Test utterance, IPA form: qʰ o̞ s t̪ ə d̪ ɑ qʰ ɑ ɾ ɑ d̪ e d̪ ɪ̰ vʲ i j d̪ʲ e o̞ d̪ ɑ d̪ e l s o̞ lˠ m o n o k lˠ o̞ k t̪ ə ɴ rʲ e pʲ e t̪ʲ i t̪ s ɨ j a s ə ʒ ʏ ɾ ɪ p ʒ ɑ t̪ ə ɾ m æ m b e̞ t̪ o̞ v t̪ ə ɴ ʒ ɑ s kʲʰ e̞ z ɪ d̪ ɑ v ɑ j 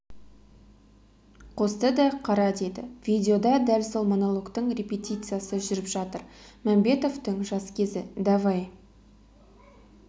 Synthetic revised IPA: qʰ o̞ s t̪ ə d̪ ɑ qʰ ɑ ɾ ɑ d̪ e d̪ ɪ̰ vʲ i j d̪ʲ e o̞ d̪ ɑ d̪ æ l s o̞ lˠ m o n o lˠ o̞ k t̪ ə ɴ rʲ e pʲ e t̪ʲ i t̪ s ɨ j a s ə ʒ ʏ ɾ ɪ p ʒ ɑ t̪ ə ɾ m æ m b e̞ t̪ o̞ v t̪ ə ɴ ʒ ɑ s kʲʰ e̞ z ɪ d̪ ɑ v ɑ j